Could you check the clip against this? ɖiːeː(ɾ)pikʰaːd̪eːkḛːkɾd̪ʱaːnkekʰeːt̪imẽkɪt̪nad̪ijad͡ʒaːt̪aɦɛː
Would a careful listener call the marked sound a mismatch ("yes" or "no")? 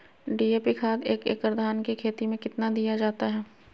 yes